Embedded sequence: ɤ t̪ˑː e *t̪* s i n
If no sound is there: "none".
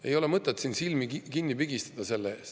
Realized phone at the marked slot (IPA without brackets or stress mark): t̪